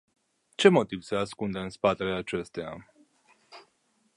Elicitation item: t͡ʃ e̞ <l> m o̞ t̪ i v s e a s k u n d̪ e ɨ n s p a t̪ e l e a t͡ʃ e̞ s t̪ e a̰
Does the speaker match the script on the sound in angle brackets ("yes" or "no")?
no